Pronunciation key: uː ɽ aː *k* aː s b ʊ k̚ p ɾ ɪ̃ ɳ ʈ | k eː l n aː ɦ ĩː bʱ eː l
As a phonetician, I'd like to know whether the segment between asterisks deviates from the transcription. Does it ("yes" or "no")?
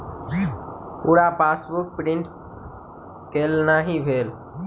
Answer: yes